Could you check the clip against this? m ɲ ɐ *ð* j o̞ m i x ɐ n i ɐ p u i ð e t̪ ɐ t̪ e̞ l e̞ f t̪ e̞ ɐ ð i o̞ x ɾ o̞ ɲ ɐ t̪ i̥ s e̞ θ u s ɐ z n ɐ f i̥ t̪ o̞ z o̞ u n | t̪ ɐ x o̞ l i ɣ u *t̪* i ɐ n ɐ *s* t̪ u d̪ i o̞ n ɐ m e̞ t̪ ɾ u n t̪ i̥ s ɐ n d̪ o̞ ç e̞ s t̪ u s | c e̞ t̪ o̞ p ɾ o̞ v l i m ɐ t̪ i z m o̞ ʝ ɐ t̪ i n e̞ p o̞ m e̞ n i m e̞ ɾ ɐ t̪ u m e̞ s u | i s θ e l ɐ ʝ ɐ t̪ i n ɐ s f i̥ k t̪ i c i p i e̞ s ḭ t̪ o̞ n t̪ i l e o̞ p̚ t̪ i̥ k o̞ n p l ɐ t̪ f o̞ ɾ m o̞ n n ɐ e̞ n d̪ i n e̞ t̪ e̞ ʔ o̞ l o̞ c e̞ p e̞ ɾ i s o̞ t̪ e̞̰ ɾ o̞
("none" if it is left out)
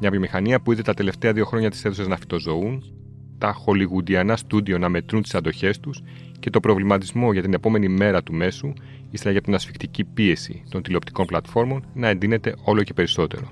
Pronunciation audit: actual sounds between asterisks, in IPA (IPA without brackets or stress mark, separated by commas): v, d̪, s